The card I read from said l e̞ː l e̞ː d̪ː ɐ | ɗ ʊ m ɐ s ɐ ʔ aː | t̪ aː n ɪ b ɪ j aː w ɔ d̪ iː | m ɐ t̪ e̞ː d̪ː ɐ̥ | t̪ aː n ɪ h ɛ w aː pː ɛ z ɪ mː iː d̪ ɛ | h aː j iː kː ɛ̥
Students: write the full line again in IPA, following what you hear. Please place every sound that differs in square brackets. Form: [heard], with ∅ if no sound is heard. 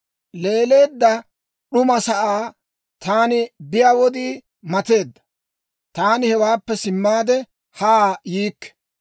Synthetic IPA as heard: l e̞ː l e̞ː d̪ː ɐ | ɗ ʊ m ɐ s ɐ ʔ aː | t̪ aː n ɪ b ɪ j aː w ɔ d̪ iː | m ɐ t̪ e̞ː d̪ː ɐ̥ | t̪ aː n ɪ h ɛ w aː pː ɛ [s] ɪ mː [aː] d̪ ɛ | h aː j iː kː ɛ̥

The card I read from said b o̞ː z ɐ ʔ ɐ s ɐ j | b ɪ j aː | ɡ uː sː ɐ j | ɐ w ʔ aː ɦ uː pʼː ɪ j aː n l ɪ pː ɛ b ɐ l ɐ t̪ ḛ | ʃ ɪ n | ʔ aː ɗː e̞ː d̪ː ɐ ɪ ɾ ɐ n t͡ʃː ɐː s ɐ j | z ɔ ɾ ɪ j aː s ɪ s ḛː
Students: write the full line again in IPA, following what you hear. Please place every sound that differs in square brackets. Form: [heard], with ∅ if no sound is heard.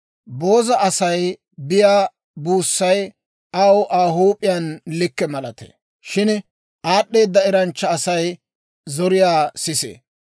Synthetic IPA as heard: b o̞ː z ɐ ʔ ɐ s ɐ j | b ɪ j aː | [b] uː sː ɐ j | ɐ w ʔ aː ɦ uː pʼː ɪ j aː n l ɪ [kː] ɛ [m] ɐ l ɐ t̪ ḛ | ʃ ɪ n | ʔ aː ɗː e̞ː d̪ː ɐ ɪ ɾ ɐ n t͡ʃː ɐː s ɐ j | z ɔ ɾ ɪ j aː s ɪ s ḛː

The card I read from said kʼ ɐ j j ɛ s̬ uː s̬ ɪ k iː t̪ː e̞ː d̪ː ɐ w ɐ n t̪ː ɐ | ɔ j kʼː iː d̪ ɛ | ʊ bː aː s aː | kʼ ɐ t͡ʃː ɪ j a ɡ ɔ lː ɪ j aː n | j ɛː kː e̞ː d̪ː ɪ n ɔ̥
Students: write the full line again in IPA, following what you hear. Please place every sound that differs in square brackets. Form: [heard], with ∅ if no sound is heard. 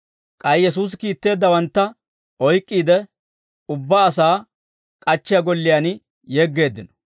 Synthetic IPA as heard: kʼ ɐ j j ɛ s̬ uː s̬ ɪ k iː t̪ː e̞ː d̪ː ɐ w ɐ n t̪ː ɐ | ɔ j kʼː iː d̪ ɛ | ʊ bː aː s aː | kʼ ɐ t͡ʃː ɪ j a ɡ ɔ lː ɪ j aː n | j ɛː [ɡː] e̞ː d̪ː ɪ n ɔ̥

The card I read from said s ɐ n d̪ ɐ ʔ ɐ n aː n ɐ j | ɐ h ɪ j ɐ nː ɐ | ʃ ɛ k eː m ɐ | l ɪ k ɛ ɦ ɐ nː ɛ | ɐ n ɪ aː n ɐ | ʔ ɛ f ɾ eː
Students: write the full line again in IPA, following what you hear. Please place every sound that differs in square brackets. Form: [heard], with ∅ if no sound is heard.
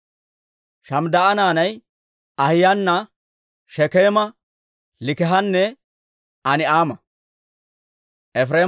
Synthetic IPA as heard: [ʃ] ɐ [m] d̪ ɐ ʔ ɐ n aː n ɐ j | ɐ h ɪ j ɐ nː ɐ | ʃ ɛ k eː m ɐ | l ɪ k ɛ ɦ ɐ nː ɛ | ɐ n ɪ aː [m] ɐ | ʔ ɛ f ɾ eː

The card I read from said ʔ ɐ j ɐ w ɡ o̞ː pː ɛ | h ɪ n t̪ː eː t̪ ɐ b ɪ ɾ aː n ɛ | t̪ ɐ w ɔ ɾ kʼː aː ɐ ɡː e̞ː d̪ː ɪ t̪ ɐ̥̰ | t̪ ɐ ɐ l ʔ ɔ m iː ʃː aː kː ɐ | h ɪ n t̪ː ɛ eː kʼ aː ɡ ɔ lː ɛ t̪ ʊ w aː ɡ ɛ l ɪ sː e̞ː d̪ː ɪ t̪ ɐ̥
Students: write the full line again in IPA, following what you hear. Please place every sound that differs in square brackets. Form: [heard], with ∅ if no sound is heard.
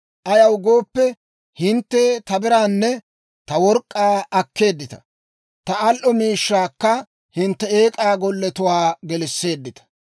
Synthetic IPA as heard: ʔ ɐ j ɐ w ɡ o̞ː pː ɛ | h ɪ n t̪ː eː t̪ ɐ b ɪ ɾ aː [nː] ɛ | t̪ ɐ w ɔ ɾ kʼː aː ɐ [kː] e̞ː d̪ː ɪ t̪ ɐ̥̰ | t̪ ɐ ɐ l ʔ ɔ m iː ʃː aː kː ɐ | h ɪ n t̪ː ɛ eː kʼ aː ɡ ɔ lː ɛ t̪ ʊ w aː ɡ ɛ l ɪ sː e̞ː d̪ː ɪ t̪ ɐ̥

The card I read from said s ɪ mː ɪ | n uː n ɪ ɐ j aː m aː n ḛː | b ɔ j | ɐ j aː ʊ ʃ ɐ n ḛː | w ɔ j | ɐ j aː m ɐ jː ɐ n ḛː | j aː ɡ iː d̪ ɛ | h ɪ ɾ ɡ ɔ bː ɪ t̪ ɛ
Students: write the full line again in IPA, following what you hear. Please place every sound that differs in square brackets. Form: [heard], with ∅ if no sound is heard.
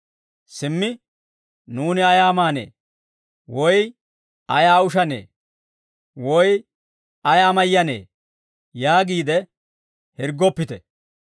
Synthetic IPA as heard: s ɪ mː ɪ | n uː n ɪ ɐ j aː m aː n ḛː | [w] ɔ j | ɐ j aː ʊ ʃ ɐ n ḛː | w ɔ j | ɐ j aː m ɐ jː ɐ n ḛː | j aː ɡ iː d̪ ɛ | h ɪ ɾ ɡ ɔ [pː] ɪ t̪ ɛ

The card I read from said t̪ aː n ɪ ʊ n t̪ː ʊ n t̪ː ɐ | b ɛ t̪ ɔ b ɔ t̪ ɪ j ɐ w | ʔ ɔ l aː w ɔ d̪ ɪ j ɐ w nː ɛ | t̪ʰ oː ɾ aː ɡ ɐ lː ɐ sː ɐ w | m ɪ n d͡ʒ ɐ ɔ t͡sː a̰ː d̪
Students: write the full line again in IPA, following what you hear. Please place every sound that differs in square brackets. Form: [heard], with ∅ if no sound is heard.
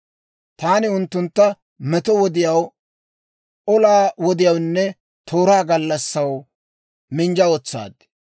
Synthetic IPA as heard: t̪ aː n ɪ ʊ n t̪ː ʊ n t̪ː ɐ | [m] ɛ t̪ ɔ [w] ɔ [d̪] ɪ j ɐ w | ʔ ɔ l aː w ɔ d̪ ɪ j ɐ w nː ɛ | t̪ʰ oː ɾ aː ɡ ɐ lː ɐ sː ɐ w | m ɪ n d͡ʒ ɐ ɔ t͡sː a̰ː d̪

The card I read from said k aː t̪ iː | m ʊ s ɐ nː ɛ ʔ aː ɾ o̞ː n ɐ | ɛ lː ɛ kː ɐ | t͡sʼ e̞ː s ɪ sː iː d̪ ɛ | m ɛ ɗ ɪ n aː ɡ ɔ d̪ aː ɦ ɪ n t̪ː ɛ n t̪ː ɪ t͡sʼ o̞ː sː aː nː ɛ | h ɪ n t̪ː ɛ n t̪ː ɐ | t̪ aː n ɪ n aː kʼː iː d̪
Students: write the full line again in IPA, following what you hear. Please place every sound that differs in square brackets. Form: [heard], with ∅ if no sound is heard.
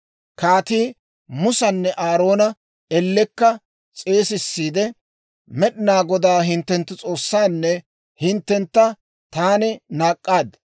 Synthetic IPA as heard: k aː t̪ iː | m ʊ s ɐ nː ɛ ʔ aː ɾ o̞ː n ɐ | ɛ lː ɛ kː ɐ | t͡sʼ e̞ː s ɪ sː iː d̪ ɛ | m ɛ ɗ ɪ n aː ɡ ɔ d̪ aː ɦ ɪ n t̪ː ɛ n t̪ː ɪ t͡sʼ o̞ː sː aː nː ɛ | h ɪ n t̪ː ɛ n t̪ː ɐ | t̪ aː n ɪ n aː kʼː [aː] d̪

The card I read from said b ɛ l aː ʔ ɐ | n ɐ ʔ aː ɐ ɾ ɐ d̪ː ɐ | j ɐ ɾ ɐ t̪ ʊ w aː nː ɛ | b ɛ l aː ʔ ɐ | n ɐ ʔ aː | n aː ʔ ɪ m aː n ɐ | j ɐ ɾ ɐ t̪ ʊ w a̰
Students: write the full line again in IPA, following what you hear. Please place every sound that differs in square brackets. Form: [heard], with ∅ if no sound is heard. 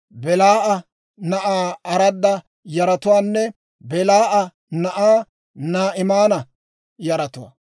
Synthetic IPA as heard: b ɛ l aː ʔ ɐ | n ɐ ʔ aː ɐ ɾ ɐ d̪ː ɐ | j ɐ ɾ ɐ t̪ ʊ w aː nː ɛ | b ɛ l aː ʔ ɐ | n ɐ ʔ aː | n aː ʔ ɪ m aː n ɐ | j ɐ ɾ ɐ t̪ ʊ w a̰

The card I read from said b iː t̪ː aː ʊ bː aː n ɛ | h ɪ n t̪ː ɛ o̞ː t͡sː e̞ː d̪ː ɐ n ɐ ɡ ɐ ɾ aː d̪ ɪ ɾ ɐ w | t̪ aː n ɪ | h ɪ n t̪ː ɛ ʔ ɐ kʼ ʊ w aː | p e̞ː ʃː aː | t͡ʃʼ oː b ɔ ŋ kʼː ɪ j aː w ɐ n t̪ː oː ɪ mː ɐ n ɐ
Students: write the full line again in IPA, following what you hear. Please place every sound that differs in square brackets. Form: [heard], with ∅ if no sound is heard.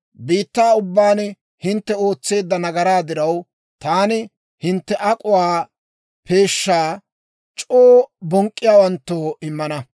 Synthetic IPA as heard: b iː t̪ː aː ʊ bː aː n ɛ | h ɪ n t̪ː ɛ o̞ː t͡sː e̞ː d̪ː ɐ n ɐ ɡ ɐ ɾ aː d̪ ɪ ɾ ɐ w | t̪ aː n ɪ | h ɪ n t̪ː ɛ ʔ ɐ kʼ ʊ w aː | p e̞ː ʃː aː | t͡ʃʼ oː b ɔ ŋ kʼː ɪ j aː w ɐ n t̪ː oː ɪ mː ɐ n ɐ

